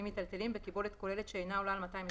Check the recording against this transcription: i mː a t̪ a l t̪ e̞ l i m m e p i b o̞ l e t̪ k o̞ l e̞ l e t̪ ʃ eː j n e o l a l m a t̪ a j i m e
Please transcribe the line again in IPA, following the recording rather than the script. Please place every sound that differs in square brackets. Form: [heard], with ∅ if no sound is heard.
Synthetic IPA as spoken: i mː [i] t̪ a l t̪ e̞ l i m [b] e [k] i b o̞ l e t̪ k o̞ l e̞ l e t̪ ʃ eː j n [a] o l a l m a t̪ a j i m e